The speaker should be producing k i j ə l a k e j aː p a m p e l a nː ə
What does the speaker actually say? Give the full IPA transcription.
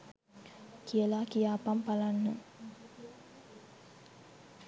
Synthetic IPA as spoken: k i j ə l a k i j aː p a m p a l a nː ə